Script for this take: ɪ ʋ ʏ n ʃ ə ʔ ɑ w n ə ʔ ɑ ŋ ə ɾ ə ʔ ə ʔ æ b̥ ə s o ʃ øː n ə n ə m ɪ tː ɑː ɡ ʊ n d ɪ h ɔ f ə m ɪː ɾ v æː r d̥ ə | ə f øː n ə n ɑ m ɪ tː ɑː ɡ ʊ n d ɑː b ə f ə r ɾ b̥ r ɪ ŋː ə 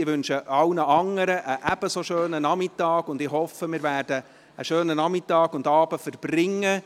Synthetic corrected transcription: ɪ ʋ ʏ n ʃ ə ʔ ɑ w n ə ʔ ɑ ŋ ə ɾ ə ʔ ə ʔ æ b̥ ə s o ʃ øː n ə n ɑ m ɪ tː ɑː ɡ ʊ n d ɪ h ɔ f ə m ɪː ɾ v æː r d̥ ə | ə ʃ øː n ə n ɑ m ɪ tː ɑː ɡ ʊ n d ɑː b ə f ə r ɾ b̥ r ɪ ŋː ə

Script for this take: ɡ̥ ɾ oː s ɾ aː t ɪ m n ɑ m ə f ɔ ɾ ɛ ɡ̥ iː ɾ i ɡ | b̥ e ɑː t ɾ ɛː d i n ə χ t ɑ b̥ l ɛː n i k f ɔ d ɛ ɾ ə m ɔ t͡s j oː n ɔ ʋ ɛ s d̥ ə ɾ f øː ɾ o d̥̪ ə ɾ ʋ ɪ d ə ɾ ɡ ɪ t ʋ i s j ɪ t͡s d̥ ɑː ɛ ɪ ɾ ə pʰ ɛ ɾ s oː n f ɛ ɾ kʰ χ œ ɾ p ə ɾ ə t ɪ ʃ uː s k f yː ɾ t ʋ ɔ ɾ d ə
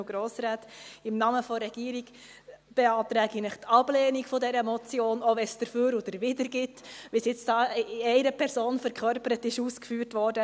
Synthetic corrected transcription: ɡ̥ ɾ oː s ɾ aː t ɪ m n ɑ m ə f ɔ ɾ ɛ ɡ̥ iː ɾ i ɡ | b̥ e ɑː t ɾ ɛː ɡ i n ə χ t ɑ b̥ l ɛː n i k f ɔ d ɛ ɾ ə m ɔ t͡s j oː n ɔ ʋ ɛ s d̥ ə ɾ f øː ɾ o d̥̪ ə ɾ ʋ ɪ d ə ɾ ɡ ɪ t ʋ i s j ɪ t͡s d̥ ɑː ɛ ɪ ɾ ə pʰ ɛ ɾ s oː n f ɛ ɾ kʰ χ œ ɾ p ə ɾ ə t ɪ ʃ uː s k f yː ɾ t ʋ ɔ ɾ d ə

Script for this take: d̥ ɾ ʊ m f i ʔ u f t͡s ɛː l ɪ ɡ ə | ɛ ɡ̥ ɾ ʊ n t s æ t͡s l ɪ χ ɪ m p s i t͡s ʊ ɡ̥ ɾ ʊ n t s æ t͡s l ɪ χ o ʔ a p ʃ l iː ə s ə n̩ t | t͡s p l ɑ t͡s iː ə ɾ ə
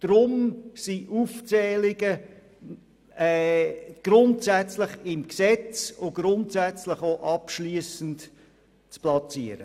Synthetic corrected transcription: d̥ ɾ ʊ m s i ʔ u f t͡s ɛː l ɪ ɡ ə | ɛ ɡ̥ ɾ ʊ n t s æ t͡s l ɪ χ ɪ m k s ɛ t͡s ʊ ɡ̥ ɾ ʊ n t s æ t͡s l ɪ χ o ʔ ɑ p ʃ l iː ə s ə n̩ t | t͡s p l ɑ t͡s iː ə ɾ ə

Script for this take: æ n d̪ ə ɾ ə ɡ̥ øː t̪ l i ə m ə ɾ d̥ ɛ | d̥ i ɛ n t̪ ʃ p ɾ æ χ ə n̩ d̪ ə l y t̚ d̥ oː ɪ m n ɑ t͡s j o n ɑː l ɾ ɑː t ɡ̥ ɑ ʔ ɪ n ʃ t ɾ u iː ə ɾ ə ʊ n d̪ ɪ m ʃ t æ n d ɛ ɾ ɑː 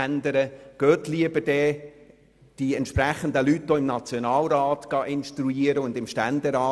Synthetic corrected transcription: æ n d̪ ə ɾ ə ɡ̥ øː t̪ l i ə b ə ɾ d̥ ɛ | d̥ i ɛ n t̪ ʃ p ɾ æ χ ə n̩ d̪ ə l y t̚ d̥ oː ɪ m n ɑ t͡s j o n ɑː l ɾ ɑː t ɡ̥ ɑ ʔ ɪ n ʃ t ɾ u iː ə ɾ ə ʊ n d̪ ɪ m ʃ t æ n d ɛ ɾ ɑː

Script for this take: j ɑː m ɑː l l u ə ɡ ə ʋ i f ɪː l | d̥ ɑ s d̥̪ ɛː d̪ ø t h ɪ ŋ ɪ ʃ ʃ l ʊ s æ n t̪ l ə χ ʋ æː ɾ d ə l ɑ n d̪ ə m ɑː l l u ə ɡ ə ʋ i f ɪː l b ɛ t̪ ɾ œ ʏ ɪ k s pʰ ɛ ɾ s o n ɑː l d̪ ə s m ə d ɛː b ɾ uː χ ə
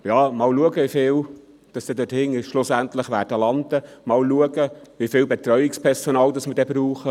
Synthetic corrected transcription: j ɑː m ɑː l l u ə ɡ ə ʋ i f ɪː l | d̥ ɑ s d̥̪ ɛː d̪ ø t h ɪ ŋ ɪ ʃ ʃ l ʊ s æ n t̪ l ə χ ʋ æː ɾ d ə l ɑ n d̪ ə m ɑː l l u ə ɡ ə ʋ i f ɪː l b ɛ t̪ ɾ œ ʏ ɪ k s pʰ ɛ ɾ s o n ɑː l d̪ ɑ s m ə d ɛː b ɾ uː χ ə

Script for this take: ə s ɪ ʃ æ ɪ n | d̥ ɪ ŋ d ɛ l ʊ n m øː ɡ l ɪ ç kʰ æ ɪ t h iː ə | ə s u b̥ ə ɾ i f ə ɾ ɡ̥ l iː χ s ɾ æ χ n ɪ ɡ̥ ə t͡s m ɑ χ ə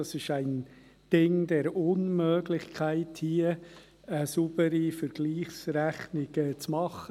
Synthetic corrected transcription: ɑ s ɪ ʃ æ ɪ n | d̥ ɪ ŋ d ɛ ɾ ʊ n m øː ɡ l ɪ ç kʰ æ ɪ t h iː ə | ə s u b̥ ə ɾ i f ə ɾ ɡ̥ l iː χ s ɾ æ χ n ɪ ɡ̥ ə t͡s m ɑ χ ə

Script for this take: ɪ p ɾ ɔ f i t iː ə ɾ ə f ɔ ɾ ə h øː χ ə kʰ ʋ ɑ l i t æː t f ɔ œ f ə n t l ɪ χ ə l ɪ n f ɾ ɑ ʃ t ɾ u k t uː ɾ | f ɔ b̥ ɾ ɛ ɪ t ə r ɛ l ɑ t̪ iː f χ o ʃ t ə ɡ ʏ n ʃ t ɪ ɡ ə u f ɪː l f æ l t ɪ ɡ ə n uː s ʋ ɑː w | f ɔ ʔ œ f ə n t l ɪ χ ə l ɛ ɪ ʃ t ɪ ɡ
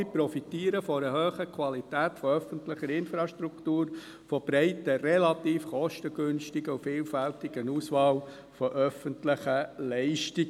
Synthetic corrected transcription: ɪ p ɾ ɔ f i t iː ə ɾ ə f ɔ ɾ ə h øː χ ə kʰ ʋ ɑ l i t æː t f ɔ œ f ə n t l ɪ χ ə ɾ ɪ n f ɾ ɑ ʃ t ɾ u k t uː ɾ | f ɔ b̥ ɾ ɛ ɪ t ə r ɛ l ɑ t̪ iː f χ ɔ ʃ t ə ɡ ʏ n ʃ t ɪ ɡ ə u f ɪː l f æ l t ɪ ɡ ə n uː s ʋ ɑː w | f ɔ ʔ œ f ə n t l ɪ χ ə l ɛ ɪ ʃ t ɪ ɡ

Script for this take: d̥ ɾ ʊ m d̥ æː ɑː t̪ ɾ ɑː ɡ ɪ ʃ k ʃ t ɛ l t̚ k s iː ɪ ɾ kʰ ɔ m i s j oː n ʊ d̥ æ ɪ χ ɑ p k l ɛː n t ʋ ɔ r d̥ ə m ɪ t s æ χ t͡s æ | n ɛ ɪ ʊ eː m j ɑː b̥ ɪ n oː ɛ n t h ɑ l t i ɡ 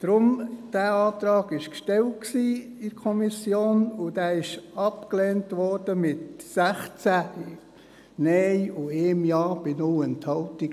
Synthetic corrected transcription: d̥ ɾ ʊ m d̥ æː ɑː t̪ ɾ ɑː ɡ ɪ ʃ k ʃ t ɛ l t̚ k s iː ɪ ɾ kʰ ɔ m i s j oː n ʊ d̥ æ ɪ ʃ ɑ p k l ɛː n t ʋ ɔ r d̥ ə m ɪ t s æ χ t͡s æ | n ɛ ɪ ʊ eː m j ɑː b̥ ɪ n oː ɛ n t h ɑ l t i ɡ

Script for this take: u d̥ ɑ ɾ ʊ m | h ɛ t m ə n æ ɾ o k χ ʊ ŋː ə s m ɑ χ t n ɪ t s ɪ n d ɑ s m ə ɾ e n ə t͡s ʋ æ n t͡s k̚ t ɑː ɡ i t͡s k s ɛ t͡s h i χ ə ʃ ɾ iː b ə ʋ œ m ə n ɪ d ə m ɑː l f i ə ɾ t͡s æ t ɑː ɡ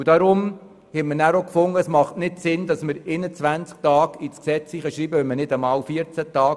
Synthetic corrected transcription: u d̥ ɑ ɾ ʊ m | h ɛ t m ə n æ ɾ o k f ʊ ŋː ə s m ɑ χ t n ɪ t s ɪ n d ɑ s m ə ɾ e n ə t͡s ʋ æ n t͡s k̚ t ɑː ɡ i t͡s k s ɛ t͡s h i χ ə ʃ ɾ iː b ə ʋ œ m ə n ɪ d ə m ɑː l f i ə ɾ t͡s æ t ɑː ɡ

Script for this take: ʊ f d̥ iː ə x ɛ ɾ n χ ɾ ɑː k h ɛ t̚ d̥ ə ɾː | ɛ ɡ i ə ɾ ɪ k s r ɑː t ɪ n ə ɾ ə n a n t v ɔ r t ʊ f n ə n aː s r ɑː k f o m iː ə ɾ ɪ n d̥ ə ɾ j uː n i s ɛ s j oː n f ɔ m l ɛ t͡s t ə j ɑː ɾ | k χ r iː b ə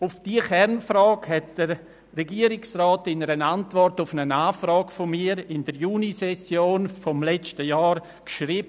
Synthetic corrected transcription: ʊ f d̥ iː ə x ɛ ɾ n f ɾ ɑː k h ɛ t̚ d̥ ə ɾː | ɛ ɡ i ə ɾ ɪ k s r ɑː t ɪ n ə ɾ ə n a n t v ɔ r t ʊ f n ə n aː f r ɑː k f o m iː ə ɾ ɪ n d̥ ə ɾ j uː n i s ɛ s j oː n f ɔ m l ɛ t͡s t ə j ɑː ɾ | k ʃ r iː b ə

